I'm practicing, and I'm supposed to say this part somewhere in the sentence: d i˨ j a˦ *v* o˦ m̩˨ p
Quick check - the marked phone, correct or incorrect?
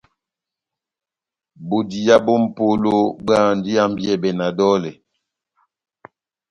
incorrect